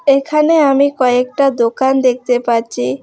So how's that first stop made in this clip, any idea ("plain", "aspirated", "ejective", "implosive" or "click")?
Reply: aspirated